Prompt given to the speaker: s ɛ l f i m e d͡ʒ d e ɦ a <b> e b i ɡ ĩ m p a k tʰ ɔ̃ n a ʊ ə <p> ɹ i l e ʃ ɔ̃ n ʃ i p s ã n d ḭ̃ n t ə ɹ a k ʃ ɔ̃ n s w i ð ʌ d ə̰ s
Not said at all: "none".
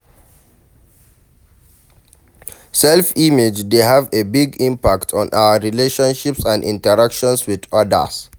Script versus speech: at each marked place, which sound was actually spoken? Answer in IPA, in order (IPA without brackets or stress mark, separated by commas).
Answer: v, none